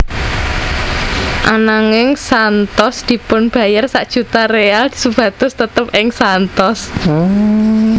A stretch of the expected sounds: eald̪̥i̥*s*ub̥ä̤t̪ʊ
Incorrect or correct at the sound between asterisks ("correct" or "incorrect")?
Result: correct